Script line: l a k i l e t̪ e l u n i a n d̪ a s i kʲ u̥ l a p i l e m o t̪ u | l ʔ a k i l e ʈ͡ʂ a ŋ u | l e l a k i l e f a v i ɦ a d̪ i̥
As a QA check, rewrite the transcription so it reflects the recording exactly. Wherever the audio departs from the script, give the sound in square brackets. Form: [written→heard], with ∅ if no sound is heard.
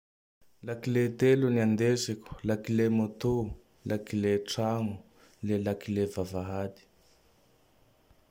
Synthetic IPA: l a k i l e t̪ e l u n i a n d̪ [a→e] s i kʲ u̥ l a [p→k] i l e m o t̪ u | l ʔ a k i l e ʈ͡ʂ a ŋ u | l e l a k i l e [f→v] a v [i→a] ɦ a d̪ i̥